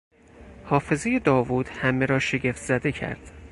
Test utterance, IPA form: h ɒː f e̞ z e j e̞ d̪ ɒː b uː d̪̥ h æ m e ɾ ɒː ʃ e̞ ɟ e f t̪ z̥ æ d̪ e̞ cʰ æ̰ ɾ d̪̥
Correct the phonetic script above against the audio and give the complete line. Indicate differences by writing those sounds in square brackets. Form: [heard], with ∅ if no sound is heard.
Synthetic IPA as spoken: h ɒː f e̞ z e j e̞ d̪ ɒː [v] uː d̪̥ h æ m e ɾ ɒː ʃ e̞ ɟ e f t̪ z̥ æ d̪ e̞ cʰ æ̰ ɾ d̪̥